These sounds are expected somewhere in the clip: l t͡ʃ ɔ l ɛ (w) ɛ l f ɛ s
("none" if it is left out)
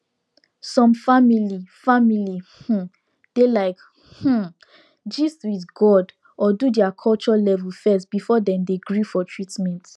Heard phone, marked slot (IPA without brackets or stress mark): v